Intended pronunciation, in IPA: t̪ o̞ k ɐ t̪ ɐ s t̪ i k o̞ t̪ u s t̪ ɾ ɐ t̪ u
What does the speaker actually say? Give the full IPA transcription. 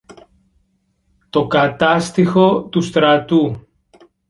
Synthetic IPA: t̪ o̞ k ɐ t̪ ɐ s t̪ i x o̞ t̪ u s t̪ ɾ ɐ t̪ u

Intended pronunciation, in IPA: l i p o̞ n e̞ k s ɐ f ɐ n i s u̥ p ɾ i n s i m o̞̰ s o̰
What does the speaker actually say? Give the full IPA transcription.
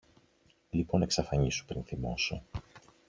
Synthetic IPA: l i p o̞ n e̞ k s ɐ f ɐ ɲ i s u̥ p ɾ i n θ i m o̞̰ s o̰

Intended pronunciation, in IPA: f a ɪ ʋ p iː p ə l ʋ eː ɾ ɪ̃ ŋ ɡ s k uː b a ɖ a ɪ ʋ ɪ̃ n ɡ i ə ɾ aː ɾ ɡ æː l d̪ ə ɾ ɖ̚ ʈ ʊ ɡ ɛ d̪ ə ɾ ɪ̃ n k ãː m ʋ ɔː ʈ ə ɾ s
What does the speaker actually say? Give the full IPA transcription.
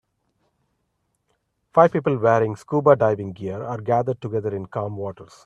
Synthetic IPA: f a ɪ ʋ p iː p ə l ʋ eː ɾ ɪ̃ ŋ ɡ s k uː b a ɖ a ɪ ʋ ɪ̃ ŋ ɡ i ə ɾ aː ɾ ɡ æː d̪ ə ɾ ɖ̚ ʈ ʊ ɡ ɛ d̪ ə ɾ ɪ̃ n k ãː m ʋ ɔː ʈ ə ɾ s

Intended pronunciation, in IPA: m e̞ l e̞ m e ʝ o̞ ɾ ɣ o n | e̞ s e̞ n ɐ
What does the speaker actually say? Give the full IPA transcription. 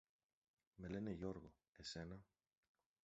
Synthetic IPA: m e̞ l e̞ n e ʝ o̞ ɾ ɣ o | e̞ s e̞ n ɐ

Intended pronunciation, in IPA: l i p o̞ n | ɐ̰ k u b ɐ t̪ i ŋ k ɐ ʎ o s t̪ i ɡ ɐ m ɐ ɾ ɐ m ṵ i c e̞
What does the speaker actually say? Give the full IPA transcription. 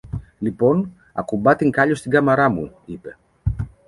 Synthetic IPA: l i p o̞ n | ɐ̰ k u b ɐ t̪ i ŋ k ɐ ʎ o s t̪ i ɡ ɐ m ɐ ɾ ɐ m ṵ i p e̞

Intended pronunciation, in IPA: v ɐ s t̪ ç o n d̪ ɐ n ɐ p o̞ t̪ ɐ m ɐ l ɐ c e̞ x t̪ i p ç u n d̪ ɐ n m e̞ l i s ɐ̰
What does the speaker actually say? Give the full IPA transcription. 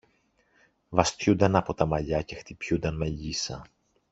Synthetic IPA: v ɐ s t̪ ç u n d̪ ɐ n ɐ p o̞ t̪ ɐ m ɐ ʎ ɐ c e̞ x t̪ i p ç u n d̪ ɐ n m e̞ ʎ i s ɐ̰

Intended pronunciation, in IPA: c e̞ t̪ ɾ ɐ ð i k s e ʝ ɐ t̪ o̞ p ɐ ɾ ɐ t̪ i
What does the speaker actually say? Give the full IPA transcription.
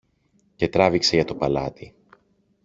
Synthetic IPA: c e̞ t̪ ɾ ɐ v i k s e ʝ ɐ t̪ o̞ p ɐ l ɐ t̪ i

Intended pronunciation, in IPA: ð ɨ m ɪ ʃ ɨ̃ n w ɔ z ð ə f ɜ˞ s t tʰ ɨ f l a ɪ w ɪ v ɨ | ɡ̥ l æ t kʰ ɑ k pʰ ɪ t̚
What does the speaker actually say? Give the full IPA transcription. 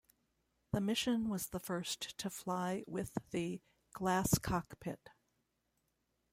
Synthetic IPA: ð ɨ m ɪ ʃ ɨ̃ n w ʌ z ð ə f ɜ˞ s t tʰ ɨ f l a ɪ w ɪ ð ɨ | ɡ̥ l æ s kʰ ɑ k pʰ ɪ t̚

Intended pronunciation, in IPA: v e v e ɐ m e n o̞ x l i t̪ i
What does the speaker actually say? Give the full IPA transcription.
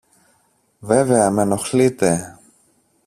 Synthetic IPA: v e v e ɐ m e n o̞ x l i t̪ e

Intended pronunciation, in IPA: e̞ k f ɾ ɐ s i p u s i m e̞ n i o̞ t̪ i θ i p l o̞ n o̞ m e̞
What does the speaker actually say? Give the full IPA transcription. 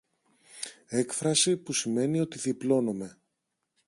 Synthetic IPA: e̞ k f ɾ ɐ s i p u s i m e̞ n i o̞ t̪ i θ i p l o̞ n o̞ m e̞

